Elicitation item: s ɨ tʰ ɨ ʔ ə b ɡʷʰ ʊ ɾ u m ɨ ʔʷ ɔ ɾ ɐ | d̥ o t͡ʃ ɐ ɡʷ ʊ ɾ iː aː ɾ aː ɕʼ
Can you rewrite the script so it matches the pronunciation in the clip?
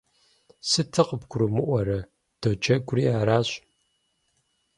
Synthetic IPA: s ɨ tʰ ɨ q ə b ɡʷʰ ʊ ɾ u m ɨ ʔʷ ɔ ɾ ɐ | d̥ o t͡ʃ ɐ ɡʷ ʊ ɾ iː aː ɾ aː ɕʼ